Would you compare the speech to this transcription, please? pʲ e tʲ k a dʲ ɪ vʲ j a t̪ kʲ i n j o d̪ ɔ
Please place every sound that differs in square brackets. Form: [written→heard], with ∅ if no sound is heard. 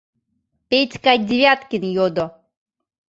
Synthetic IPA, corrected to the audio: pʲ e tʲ k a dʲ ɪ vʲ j a t̪ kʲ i n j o d̪ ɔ